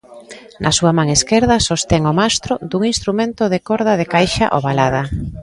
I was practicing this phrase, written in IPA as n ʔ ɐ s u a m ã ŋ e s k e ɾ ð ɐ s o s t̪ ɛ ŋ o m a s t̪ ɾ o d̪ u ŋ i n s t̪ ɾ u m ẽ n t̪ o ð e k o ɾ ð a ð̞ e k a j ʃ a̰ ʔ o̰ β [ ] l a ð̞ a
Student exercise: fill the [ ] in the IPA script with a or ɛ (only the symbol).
a